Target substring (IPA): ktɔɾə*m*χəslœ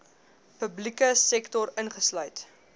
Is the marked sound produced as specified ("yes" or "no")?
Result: no